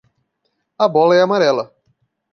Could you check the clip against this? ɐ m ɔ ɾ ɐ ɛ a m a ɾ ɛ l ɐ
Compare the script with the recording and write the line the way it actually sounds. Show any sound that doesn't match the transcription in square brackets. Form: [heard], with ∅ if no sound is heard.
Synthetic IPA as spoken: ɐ [b] ɔ [l] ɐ ɛ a m a ɾ ɛ l ɐ